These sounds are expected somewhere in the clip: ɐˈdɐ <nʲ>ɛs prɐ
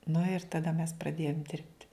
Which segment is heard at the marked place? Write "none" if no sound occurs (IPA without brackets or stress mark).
mʲ